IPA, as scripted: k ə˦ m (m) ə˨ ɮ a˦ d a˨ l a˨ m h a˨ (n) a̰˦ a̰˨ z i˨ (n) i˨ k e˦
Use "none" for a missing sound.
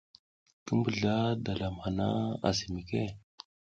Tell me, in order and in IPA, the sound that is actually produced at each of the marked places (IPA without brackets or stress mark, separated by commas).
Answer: b, n, m